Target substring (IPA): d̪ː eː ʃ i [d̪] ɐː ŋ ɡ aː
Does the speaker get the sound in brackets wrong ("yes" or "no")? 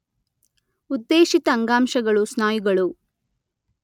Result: yes